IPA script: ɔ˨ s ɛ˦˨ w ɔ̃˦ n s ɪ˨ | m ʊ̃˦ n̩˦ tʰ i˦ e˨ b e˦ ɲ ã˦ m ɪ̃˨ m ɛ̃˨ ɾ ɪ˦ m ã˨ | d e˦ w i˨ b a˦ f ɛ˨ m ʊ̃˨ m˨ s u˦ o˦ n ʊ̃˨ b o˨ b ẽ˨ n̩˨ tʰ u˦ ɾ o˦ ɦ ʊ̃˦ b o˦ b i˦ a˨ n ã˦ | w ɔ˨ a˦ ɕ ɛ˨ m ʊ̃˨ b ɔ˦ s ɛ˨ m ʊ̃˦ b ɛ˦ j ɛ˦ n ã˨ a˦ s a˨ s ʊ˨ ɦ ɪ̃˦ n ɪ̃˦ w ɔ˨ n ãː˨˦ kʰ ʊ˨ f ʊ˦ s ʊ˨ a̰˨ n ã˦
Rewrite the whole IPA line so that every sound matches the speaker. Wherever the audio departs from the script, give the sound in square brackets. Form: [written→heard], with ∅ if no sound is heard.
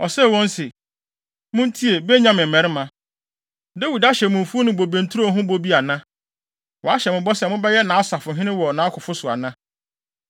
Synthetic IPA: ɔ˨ s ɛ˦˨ w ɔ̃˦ n s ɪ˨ | m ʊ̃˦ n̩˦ tʰ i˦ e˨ b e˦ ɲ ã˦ m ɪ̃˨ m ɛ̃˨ ɾ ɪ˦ m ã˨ | d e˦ w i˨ [b→d] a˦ [f→ɕ] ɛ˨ m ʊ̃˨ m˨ [s→f] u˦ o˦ n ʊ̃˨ b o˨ b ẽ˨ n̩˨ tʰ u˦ ɾ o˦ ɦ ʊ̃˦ b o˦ b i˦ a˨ n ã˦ | w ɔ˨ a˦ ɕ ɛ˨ m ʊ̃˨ b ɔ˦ s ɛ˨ m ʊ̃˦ b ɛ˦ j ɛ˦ n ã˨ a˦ s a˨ [s→f] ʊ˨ ɦ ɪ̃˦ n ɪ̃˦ w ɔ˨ n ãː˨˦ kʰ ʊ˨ f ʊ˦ s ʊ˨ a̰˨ n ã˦